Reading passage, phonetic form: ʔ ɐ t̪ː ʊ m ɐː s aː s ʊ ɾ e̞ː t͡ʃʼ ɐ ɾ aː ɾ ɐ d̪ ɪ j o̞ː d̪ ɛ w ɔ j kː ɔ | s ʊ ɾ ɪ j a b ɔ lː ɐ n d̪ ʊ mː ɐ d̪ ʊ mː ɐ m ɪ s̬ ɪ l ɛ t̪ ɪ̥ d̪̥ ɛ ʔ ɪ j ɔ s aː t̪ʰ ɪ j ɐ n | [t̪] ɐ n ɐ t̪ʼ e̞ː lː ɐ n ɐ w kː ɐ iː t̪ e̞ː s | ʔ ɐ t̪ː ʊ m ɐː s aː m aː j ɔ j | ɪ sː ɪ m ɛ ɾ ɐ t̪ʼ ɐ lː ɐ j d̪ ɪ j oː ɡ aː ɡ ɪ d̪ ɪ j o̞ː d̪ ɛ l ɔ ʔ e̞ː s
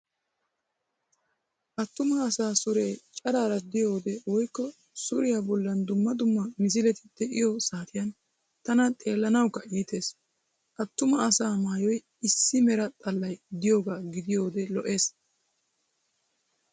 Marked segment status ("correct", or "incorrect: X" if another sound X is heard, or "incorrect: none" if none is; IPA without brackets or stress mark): correct